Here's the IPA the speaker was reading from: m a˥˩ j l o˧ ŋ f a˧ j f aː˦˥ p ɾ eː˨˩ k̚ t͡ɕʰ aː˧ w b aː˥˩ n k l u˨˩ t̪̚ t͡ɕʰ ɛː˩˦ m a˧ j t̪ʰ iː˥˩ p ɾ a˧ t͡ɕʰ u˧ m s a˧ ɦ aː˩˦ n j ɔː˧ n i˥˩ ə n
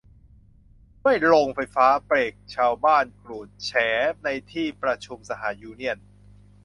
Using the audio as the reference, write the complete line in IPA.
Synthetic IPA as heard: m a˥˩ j l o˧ ŋ f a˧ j f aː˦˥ p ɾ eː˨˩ k̚ t͡ɕʰ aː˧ w b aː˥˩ n k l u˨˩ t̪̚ t͡ɕʰ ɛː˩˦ n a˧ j t̪ʰ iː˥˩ p ɾ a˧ t͡ɕʰ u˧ m s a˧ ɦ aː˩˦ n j uː˧ n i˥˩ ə n